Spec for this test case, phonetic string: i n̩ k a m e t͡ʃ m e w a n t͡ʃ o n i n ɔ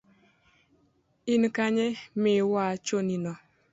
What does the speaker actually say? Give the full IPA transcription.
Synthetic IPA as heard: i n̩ k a ɲ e m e w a t͡ʃ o n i n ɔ